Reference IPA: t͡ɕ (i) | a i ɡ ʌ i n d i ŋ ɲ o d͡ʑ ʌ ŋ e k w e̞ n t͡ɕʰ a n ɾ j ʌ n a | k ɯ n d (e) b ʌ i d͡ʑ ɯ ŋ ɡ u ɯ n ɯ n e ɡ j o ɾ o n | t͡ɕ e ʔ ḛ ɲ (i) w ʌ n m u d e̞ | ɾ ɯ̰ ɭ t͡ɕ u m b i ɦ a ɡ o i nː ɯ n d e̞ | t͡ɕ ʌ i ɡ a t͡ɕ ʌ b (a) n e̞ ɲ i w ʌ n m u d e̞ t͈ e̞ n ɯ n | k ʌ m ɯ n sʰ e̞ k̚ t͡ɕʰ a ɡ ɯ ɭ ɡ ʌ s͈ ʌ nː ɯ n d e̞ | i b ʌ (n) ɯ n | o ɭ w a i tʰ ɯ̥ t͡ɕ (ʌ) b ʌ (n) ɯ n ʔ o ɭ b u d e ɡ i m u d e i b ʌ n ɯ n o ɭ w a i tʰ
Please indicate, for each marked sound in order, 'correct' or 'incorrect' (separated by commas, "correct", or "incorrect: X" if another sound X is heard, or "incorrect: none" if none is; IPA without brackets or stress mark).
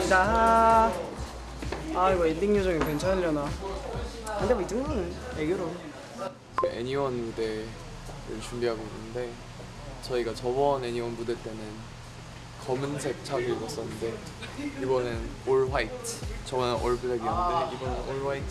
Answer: incorrect: a, correct, correct, incorrect: ʌ, correct, correct, correct